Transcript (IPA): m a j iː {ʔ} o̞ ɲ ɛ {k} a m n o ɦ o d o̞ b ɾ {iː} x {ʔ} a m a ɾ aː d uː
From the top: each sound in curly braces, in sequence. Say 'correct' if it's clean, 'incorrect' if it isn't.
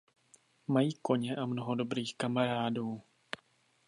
incorrect, incorrect, correct, incorrect

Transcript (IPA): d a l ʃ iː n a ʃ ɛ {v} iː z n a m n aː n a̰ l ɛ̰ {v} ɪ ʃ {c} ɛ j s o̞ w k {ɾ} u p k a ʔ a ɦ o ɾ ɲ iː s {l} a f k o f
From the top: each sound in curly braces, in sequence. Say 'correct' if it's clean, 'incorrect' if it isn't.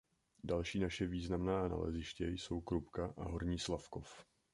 correct, incorrect, correct, correct, correct

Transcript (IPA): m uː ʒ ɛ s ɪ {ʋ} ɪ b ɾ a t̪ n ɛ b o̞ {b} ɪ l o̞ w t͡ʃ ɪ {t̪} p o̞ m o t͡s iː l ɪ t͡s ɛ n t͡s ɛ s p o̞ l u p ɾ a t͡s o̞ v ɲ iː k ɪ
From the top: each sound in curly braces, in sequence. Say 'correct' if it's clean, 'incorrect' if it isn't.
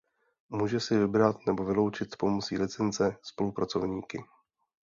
incorrect, incorrect, correct

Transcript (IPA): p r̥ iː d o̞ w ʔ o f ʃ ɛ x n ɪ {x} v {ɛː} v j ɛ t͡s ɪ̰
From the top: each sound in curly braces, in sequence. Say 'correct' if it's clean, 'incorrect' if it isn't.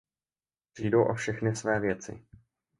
incorrect, correct

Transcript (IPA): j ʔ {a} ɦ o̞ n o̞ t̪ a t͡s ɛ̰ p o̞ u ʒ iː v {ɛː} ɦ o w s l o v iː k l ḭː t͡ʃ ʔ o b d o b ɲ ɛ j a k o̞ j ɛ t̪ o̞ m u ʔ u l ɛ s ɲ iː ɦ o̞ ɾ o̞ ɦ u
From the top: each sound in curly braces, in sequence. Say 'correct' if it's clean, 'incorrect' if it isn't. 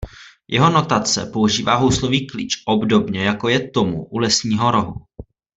incorrect, incorrect

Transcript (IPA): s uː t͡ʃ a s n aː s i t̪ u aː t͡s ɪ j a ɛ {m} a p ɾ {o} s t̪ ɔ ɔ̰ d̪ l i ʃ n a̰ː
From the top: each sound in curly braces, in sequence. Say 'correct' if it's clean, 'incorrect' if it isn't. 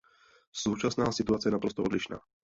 incorrect, incorrect

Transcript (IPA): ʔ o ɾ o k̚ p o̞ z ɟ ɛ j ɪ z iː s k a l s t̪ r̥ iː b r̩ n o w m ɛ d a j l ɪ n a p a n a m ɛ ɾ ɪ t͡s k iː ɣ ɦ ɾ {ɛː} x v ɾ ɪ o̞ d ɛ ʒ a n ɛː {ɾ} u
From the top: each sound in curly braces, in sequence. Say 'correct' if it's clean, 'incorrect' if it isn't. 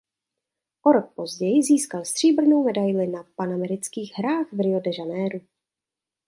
incorrect, correct

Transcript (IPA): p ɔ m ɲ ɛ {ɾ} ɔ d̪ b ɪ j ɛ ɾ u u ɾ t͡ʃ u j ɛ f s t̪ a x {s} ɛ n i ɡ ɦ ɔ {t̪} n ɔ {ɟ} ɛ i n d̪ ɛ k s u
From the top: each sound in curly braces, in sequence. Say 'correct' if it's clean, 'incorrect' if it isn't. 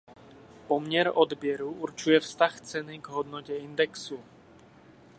correct, incorrect, incorrect, incorrect

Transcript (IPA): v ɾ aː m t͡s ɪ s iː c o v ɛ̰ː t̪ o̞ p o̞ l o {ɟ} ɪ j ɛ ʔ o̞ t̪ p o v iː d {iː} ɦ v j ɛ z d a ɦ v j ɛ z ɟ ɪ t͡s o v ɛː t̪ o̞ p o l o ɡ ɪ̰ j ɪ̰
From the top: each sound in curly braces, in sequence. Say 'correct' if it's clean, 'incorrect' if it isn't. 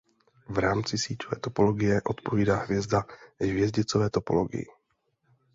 incorrect, incorrect

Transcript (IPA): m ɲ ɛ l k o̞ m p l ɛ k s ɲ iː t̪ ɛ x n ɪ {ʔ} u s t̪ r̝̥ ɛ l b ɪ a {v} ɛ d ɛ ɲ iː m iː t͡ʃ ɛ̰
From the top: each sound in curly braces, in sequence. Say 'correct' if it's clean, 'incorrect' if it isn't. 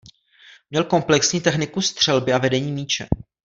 incorrect, correct

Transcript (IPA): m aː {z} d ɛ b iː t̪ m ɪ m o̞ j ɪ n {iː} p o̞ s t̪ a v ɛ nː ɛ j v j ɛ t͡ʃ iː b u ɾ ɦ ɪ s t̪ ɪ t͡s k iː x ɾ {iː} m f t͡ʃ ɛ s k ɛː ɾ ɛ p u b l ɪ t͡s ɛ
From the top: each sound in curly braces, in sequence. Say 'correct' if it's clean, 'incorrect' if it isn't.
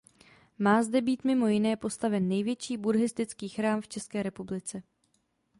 correct, incorrect, incorrect

